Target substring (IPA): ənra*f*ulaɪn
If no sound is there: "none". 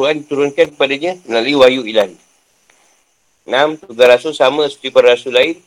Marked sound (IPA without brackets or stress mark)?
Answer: s